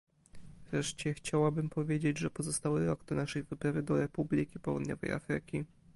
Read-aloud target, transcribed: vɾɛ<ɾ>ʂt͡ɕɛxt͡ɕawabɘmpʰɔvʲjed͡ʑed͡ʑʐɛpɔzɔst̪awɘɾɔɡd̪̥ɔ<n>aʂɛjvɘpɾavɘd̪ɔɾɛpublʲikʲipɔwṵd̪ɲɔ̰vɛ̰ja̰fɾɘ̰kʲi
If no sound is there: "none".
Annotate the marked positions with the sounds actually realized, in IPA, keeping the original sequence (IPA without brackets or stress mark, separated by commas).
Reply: none, n